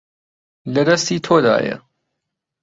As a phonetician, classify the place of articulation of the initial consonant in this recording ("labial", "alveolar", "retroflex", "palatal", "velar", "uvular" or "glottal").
alveolar